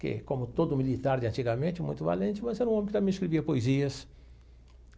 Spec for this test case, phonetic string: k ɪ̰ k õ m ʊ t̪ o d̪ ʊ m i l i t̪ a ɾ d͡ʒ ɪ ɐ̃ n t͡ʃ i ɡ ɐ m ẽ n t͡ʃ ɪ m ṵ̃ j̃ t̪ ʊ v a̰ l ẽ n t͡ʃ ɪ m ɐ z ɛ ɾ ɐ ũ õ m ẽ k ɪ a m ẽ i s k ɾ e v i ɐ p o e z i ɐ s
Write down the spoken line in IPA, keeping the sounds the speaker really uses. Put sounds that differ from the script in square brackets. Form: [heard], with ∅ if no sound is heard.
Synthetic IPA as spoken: k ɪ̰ k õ m ʊ t̪ o d̪ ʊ m i l i t̪ a ɾ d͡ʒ ɪ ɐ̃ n t͡ʃ i ɡ ɐ m ẽ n t͡ʃ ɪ m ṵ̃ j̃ t̪ ʊ v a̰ l ẽ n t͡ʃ ɪ m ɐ z ɛ ɾ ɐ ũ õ m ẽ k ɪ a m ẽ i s k ɾ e v i ɐ p o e z i ɐ s